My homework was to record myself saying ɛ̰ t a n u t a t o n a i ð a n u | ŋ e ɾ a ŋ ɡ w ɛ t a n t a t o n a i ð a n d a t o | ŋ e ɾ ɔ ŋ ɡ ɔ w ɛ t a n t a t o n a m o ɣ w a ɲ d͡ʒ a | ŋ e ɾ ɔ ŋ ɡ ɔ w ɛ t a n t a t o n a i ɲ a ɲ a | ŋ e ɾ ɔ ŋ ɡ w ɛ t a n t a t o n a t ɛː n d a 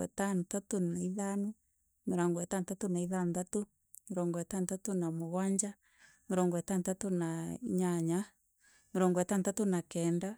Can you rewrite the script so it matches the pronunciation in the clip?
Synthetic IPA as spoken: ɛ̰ t a n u t a t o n a i ð a n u | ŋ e ɾ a ŋ ɡ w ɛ t a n t a t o n a i ð a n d a t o | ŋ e ɾ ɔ ŋ ɡ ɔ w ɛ t a n t a t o n a m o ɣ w a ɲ d͡ʒ a | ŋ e ɾ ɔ ŋ ɡ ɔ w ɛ t a n t a t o n a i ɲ a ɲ a | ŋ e ɾ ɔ ŋ ɡ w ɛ t a n t a t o n a k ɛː n d a